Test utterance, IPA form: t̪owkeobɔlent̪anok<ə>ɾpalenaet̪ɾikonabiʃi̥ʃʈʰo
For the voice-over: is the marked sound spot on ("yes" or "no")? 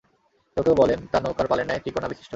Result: no